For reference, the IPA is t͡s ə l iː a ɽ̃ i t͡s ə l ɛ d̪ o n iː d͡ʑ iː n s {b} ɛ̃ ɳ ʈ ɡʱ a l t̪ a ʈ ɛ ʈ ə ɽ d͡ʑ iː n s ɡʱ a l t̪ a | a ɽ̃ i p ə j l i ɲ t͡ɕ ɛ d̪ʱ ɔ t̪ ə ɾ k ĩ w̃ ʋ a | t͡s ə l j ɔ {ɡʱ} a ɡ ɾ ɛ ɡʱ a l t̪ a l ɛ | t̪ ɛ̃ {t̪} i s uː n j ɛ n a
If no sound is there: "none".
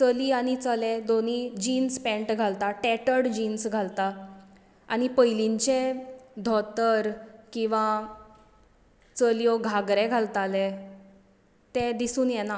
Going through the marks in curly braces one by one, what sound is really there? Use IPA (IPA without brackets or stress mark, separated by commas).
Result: p, ɡʱ, d̪